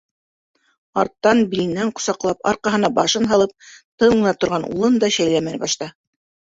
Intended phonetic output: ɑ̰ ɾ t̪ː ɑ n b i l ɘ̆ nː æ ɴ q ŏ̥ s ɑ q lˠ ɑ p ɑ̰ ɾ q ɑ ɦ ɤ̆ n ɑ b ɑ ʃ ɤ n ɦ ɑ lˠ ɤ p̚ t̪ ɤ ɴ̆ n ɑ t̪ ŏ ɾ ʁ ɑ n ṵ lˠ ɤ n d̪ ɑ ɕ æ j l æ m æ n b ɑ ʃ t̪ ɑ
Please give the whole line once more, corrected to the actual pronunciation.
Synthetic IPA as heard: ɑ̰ ɾ t̪ː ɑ n b i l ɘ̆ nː æ ɴ q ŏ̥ s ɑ q lˠ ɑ p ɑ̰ ɾ q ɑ ɦ ɤ̆ n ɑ b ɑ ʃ ɤ n ɦ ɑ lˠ ɤ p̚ t̪ ɤ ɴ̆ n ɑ t̪ ŏ ɾ ʁ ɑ n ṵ lˠ ɤ n d̪ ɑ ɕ æ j l æ m æ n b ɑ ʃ t̪ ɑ